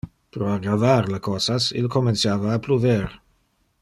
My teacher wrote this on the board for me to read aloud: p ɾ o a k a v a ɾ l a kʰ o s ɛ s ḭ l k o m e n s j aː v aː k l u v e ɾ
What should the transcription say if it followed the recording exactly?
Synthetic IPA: p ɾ o a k a v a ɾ l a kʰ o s a s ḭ l k o m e n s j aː v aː p l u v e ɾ

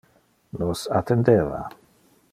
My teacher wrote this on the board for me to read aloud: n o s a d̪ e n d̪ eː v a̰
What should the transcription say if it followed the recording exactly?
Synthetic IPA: n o s a t̪ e n d̪ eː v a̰

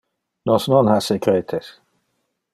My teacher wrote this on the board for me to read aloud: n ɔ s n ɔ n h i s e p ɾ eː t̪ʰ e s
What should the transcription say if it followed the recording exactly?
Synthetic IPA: n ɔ s n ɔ n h a s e k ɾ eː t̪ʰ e s

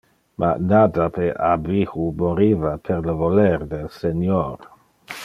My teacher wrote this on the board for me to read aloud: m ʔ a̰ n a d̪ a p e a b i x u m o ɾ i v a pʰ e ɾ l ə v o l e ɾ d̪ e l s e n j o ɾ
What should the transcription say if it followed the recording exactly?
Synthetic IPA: m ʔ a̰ n a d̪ a p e a b i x u m o ɾ i v a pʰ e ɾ l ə v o l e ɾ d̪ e l s e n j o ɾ

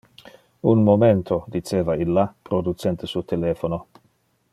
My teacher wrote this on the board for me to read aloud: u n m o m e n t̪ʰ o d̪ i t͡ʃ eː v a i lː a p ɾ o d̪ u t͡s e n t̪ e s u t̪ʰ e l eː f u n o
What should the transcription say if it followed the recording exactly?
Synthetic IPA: u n m o m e n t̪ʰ o d̪ i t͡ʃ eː v a i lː a p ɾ o d̪ u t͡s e n t̪ e s u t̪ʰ e l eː f o n o

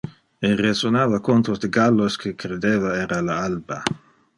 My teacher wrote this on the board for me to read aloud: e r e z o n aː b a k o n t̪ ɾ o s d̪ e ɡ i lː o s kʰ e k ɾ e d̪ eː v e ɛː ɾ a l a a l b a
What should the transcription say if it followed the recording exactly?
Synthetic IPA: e r e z o n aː v a k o n t̪ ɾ o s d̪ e ɡ a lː o s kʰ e k ɾ e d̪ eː v a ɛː ɾ a l a a l b a

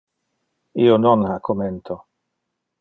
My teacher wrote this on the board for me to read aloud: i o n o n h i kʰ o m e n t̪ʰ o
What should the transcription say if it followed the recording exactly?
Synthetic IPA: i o n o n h a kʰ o m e n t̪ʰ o

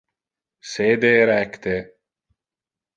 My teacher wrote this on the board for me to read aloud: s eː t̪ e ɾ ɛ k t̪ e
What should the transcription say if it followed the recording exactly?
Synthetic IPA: s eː d̪ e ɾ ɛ k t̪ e

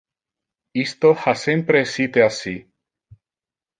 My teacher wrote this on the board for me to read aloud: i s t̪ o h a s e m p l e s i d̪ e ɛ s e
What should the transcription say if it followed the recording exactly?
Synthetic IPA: i s t̪ o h a s e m p ɾ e s i t̪ e a s i

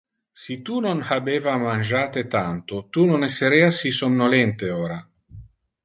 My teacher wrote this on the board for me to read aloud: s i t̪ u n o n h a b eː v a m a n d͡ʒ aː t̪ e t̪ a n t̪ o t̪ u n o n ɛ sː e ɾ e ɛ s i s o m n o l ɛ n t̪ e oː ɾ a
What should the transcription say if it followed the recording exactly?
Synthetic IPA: s i t̪ u n o n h a b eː v a m a n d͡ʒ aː t̪ e t̪ a n t̪ o t̪ u n o n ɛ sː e ɾ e a s i s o m n o l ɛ n t̪ e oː ɾ a

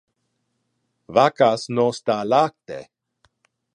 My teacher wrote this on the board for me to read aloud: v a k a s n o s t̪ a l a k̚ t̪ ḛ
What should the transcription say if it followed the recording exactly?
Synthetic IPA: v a k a s n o s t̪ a l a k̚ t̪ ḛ

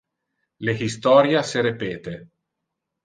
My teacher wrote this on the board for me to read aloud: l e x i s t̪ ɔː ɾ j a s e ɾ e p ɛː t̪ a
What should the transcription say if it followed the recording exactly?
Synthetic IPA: l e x i s t̪ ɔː ɾ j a s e ɾ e p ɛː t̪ e

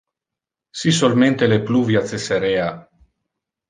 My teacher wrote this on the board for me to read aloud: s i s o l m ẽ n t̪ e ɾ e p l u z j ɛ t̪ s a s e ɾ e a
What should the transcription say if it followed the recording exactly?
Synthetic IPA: s i s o l m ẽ n t̪ e l e p l u v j a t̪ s e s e ɾ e a

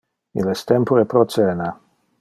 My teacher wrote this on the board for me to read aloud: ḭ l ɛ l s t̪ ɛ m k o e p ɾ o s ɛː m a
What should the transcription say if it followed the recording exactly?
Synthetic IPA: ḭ l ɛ s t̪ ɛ m p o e p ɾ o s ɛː n a

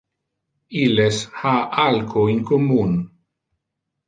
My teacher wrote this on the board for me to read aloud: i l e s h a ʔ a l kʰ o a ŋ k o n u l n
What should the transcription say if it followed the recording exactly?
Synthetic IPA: i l e s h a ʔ a l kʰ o i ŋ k o m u n

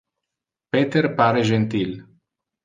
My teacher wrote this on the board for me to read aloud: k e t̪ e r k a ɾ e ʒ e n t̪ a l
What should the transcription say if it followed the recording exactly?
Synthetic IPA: p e t̪ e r p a ɾ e ʒ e n t̪ i l

